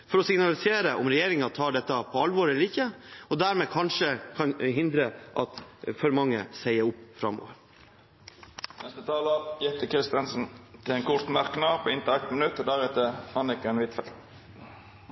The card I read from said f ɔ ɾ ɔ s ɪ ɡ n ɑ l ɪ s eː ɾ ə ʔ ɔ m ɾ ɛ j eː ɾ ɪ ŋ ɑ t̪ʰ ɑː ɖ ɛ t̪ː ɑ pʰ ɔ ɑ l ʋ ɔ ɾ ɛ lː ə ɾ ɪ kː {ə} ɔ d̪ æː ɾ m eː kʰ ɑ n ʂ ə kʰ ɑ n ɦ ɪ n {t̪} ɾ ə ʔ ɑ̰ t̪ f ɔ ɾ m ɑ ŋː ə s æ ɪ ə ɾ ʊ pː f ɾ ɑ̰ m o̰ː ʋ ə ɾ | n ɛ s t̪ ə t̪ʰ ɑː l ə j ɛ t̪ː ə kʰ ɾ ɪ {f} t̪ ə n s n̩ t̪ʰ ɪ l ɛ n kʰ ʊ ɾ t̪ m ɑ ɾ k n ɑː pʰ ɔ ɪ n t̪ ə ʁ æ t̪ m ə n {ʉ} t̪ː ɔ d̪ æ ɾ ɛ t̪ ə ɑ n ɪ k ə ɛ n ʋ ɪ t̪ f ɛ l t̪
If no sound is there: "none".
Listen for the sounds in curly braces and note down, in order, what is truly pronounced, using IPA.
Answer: ə, d̪, s, ʉ

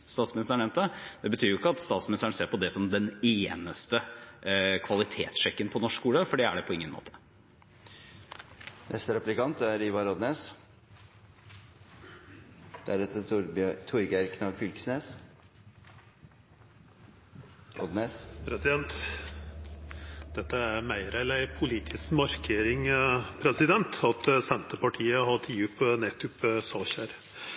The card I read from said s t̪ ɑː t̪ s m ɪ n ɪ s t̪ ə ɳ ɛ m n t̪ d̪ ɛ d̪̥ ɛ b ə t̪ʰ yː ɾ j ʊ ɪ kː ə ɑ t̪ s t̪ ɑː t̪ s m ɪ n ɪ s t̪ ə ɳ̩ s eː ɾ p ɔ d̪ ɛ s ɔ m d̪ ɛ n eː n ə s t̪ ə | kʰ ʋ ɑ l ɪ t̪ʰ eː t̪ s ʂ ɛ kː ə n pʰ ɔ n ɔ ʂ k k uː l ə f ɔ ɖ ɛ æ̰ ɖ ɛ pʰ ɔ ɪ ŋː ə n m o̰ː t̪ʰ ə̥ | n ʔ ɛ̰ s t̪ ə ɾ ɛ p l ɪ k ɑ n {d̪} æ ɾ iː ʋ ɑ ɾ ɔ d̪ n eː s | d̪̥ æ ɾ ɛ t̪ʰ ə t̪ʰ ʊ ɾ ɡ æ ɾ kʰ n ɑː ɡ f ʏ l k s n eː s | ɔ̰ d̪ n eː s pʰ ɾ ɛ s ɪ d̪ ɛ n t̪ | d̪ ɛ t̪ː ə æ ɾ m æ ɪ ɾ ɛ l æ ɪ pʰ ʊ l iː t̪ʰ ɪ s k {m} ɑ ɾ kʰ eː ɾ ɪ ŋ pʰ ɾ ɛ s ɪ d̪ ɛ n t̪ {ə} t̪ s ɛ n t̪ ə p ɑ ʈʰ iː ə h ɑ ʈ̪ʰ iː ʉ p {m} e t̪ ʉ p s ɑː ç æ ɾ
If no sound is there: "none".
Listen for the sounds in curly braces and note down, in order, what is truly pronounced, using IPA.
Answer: t̪, m, ɑ, n

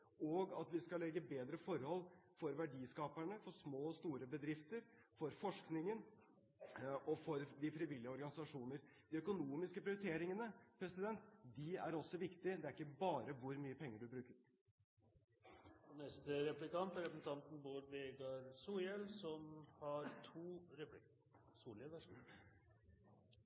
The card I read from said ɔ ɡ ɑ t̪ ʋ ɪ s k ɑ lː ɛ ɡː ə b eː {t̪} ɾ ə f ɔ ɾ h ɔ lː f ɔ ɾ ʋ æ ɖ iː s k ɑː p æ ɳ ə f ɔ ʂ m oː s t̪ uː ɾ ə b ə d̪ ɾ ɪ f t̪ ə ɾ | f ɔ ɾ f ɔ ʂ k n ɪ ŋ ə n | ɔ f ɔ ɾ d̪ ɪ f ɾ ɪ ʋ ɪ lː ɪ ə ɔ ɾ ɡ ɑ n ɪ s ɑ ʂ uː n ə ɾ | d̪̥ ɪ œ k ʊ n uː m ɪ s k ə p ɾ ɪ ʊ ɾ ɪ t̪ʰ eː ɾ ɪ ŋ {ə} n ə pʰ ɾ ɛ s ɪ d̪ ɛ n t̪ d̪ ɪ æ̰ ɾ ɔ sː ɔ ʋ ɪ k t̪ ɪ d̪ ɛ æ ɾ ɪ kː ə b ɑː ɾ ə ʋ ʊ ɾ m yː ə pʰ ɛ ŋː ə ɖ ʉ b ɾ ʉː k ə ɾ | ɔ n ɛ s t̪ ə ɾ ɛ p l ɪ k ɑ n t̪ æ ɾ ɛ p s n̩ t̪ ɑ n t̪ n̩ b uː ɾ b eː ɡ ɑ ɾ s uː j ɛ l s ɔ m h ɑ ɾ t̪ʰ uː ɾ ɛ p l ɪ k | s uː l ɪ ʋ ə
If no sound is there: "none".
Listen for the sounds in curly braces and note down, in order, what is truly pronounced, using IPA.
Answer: d̪, ə

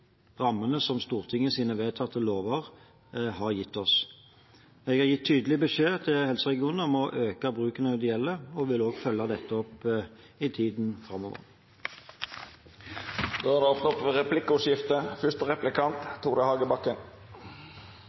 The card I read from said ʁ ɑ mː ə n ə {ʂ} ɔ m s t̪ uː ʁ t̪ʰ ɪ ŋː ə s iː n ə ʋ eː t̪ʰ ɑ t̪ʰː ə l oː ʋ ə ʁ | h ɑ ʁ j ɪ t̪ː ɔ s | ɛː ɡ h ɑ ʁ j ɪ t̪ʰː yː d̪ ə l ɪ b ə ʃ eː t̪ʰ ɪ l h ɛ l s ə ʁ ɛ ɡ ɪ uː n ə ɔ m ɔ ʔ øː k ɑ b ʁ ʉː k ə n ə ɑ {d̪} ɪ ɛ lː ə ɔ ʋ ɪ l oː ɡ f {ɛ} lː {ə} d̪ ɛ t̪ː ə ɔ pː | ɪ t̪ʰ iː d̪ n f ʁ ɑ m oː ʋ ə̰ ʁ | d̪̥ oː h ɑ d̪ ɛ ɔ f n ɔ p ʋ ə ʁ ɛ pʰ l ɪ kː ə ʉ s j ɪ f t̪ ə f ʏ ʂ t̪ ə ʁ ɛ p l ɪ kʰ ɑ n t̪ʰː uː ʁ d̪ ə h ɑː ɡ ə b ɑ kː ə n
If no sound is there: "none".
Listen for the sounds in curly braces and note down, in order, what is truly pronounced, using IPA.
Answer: s, d̪, œ, ɑ

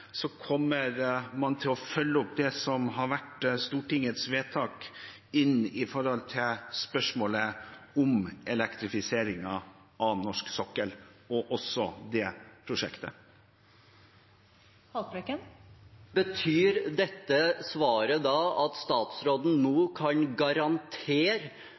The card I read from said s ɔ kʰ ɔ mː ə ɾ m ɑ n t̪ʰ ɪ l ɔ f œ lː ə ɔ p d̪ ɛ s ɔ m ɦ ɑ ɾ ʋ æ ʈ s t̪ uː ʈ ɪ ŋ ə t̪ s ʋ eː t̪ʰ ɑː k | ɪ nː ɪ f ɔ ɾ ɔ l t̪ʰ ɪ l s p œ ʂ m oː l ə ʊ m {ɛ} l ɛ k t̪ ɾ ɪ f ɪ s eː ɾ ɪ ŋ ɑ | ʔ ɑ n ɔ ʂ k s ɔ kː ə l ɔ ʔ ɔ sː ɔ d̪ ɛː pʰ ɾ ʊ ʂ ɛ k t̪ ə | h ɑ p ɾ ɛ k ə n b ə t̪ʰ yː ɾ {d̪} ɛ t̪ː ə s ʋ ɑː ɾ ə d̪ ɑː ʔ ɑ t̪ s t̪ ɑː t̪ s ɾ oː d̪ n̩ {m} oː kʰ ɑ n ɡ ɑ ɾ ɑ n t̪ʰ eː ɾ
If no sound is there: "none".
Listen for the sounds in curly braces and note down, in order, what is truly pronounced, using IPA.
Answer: ɛ, d̪, n

